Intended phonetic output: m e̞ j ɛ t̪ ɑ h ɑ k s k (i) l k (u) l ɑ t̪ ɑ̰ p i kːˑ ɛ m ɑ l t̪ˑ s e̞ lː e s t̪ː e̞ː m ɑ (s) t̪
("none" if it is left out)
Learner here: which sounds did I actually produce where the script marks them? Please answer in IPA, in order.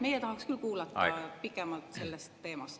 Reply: y, uː, s

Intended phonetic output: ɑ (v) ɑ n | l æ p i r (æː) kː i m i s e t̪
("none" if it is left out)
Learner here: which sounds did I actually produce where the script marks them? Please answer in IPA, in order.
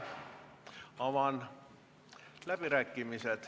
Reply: ʋ, æ

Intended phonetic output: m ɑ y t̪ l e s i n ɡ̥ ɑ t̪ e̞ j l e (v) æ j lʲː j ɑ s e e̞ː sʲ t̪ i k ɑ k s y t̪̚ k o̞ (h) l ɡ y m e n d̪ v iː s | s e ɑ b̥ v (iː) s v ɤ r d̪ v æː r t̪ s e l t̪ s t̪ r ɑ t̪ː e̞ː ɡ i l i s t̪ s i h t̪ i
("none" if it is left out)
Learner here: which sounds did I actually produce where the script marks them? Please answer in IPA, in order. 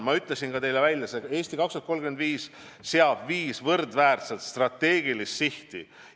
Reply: v, none, iː

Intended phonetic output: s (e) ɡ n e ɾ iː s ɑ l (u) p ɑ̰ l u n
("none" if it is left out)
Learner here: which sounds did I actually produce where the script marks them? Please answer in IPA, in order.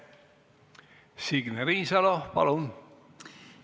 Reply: i, o

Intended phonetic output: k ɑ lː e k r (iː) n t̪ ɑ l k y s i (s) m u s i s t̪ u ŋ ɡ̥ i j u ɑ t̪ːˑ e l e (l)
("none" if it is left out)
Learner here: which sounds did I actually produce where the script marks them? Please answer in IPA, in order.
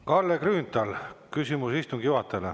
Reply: yː, none, none

